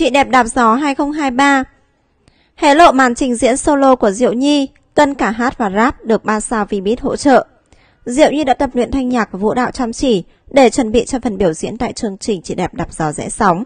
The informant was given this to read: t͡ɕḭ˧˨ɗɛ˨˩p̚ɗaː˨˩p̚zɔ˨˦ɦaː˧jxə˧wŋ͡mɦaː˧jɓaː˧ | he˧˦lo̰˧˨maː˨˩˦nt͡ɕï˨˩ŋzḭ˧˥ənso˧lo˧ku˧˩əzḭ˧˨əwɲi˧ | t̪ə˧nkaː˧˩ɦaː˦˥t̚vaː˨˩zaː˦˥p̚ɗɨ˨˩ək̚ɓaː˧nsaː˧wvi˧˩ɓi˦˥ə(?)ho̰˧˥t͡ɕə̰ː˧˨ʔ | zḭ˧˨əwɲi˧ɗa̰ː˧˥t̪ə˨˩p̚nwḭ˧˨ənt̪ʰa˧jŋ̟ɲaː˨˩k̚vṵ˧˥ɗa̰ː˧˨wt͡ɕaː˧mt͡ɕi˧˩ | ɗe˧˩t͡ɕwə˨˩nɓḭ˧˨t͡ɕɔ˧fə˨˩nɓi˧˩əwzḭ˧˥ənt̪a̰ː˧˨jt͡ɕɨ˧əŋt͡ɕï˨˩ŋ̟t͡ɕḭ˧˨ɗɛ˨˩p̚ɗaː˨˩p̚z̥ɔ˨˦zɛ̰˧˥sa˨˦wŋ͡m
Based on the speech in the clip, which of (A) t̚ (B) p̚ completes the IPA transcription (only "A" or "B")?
A